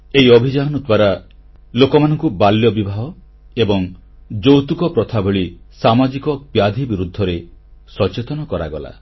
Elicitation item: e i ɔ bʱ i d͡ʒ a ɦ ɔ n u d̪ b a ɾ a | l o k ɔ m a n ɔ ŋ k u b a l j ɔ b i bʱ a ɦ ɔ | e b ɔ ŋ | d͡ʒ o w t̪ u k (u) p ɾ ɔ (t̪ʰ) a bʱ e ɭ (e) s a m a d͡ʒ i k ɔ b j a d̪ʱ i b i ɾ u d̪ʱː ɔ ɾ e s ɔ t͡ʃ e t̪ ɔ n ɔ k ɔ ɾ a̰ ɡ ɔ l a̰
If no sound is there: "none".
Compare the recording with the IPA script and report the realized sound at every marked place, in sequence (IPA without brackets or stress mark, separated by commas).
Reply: ɔ, t̪ʰ, i